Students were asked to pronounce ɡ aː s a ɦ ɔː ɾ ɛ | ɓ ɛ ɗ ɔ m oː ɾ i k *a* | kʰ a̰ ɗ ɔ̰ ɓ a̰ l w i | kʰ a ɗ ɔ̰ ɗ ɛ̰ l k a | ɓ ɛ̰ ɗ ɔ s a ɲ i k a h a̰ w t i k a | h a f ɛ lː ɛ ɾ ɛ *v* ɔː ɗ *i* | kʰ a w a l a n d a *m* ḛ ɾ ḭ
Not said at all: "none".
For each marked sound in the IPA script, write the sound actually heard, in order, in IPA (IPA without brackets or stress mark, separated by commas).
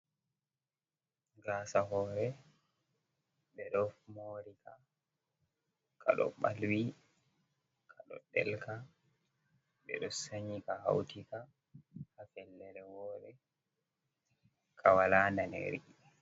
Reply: a, w, ɛ, n